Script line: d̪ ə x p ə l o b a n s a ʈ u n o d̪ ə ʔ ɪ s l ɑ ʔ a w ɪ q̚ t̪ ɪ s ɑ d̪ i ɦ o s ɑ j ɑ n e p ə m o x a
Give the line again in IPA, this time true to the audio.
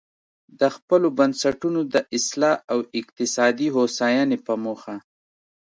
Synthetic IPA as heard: d̪ ə x p ə l o b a n s a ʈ u n o d̪ ə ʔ ɪ s l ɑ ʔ a w ɪ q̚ t̪ ɪ s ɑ d̪ i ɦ o s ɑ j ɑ n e p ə m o x a